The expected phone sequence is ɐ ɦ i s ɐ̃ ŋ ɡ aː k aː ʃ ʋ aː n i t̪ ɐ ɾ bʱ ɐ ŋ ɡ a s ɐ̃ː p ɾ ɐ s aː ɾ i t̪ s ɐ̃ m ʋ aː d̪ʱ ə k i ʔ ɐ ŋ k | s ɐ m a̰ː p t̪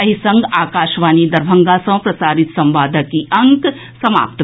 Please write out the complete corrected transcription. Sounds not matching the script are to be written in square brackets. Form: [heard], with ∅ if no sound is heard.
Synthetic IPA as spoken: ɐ ɦ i s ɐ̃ ŋ ɡ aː k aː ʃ ʋ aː n i [d̪] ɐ ɾ bʱ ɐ ŋ ɡ a s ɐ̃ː p ɾ ɐ s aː ɾ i t̪ s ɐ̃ m ʋ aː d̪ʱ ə k i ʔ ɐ ŋ k | s ɐ m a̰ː p t̪